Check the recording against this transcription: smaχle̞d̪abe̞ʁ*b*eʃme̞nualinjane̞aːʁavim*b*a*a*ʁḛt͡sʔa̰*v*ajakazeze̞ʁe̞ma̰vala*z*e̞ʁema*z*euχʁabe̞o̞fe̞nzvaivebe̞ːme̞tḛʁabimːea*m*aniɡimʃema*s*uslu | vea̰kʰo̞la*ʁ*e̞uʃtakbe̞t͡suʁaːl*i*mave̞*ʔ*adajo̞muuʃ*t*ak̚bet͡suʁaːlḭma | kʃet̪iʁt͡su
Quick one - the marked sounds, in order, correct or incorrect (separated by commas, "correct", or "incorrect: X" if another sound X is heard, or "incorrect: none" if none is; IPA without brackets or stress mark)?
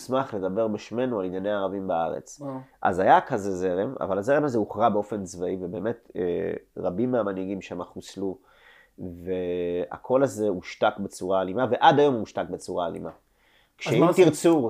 correct, correct, correct, incorrect: z, correct, correct, correct, incorrect: χ, incorrect: z, correct, correct, correct